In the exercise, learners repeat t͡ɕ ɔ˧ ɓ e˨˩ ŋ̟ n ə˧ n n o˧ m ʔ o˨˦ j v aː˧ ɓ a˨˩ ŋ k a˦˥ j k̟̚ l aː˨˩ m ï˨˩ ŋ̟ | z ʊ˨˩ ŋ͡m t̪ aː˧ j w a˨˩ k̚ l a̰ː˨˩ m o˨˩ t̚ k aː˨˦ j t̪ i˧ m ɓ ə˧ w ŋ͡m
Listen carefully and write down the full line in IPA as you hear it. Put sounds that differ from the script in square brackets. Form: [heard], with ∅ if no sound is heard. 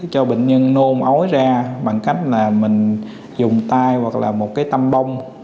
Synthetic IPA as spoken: t͡ɕ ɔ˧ ɓ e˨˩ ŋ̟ [ɲ] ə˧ n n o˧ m ʔ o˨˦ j [z] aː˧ ɓ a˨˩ ŋ k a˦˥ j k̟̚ l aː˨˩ m ï˨˩ ŋ̟ | z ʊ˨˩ ŋ͡m t̪ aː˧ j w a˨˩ k̚ l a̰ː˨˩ m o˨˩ t̚ k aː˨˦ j t̪ [a˧] m ɓ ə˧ w ŋ͡m